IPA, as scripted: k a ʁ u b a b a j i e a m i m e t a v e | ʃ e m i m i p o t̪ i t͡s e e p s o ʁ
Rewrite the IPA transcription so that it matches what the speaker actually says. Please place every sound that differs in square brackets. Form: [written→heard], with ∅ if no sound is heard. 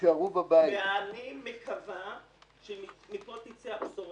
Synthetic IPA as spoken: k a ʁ u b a b a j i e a [m→n] i m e [t→k] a v [e→a] | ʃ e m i m i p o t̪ i t͡s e [e→a] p s o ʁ